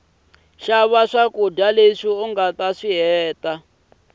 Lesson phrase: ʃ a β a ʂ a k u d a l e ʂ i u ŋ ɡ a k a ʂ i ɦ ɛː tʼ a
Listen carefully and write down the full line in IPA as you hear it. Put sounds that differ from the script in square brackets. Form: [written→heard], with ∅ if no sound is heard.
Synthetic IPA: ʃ a β a ʂ a k u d a l e ʂ i u ŋ ɡ a [k→t] a ʂ i ɦ ɛː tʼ a